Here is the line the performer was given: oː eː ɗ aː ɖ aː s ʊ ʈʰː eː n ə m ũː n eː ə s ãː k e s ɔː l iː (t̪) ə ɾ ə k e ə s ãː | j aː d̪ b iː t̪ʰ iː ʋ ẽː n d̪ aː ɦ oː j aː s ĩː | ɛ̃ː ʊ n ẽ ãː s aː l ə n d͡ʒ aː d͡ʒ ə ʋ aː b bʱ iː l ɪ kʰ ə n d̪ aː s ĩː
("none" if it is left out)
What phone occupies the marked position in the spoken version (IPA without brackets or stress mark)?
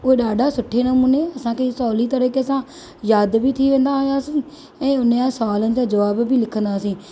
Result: t̪